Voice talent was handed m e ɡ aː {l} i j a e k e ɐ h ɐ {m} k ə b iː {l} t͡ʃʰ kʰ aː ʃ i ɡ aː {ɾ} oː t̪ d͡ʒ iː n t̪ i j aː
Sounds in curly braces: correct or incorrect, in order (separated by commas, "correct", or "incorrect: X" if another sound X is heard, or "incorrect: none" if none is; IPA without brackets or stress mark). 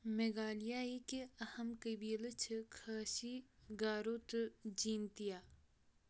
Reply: correct, correct, correct, correct